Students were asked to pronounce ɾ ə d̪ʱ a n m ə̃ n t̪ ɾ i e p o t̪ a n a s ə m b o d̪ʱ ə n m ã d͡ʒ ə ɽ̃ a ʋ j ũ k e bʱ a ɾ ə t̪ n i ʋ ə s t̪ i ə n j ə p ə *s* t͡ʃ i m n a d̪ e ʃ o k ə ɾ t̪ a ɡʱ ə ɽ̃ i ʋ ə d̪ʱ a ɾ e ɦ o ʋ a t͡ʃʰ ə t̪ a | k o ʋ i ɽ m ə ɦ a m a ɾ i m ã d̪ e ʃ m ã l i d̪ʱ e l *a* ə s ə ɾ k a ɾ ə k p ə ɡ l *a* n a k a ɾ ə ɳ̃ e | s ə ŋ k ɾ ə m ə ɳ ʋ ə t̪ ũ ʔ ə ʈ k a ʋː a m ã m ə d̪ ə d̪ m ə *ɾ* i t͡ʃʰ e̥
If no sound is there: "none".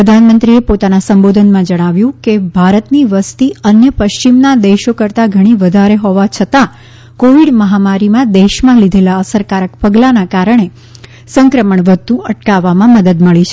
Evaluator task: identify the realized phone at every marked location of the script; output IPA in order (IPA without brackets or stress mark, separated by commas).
ʃ, a, a, ɭ